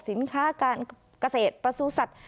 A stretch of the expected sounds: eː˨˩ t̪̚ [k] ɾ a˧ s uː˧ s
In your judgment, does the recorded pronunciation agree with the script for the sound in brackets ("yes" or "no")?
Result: no